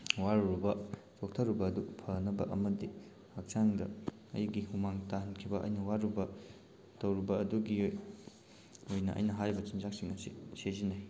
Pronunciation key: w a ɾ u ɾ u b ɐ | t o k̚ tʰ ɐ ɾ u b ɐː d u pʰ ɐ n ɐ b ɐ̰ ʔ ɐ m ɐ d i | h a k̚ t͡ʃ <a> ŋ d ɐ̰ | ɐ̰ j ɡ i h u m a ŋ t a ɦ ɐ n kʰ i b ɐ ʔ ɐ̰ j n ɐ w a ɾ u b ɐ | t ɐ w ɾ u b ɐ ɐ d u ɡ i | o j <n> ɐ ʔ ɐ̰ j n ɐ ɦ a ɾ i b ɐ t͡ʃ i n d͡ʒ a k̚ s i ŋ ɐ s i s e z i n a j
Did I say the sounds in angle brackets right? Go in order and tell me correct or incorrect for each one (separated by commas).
correct, correct